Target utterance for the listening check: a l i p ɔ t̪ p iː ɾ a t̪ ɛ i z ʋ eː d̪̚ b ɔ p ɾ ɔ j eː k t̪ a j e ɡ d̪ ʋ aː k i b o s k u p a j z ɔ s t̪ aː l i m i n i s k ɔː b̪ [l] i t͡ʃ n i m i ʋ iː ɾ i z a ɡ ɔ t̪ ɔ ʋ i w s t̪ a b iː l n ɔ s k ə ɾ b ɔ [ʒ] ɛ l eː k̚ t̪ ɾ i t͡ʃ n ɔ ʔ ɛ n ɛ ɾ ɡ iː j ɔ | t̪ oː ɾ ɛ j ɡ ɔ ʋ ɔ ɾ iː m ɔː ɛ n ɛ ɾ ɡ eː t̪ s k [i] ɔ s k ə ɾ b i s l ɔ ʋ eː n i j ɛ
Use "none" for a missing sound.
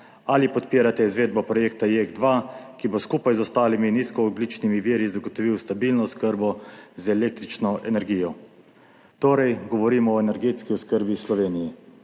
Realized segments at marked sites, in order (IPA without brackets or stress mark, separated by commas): l, z, i